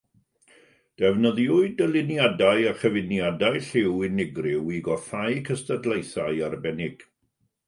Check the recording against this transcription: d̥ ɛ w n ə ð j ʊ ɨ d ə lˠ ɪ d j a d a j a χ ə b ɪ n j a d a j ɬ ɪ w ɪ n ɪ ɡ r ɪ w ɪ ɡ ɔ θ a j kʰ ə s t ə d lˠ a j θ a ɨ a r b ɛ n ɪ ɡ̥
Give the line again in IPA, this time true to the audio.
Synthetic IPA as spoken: d̥ ɛ v n ə ð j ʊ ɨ d ə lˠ ɪ n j a d a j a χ ə v ɪ n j a d a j ɬ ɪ w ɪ n ɪ ɡ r ɪ w i ɡ ɔ θ a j kʰ ə s t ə d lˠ e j θ a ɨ a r b ɛ n ɪ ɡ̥